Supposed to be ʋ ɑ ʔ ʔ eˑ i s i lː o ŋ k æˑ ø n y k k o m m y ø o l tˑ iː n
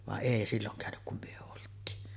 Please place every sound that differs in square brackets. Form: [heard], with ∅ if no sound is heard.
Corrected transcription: ʋ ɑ ʔ ʔ eˑ i s i lː o ŋ k æˑ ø n y k k [u] m m y ø o l tˑ iː n